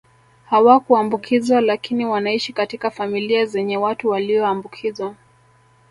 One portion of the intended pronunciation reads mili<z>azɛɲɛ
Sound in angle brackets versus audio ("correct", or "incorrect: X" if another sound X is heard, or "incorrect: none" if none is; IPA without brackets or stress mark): incorrect: none